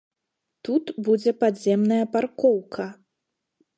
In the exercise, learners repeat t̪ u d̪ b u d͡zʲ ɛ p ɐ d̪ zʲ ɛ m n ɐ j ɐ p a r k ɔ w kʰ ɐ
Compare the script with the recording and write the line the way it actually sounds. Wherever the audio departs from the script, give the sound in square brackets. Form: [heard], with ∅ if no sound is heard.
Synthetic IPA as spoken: t̪ u [t̪] b u d͡zʲ ɛ p [a] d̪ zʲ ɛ m n ɐ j ɐ p a r k ɔ w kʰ ɐ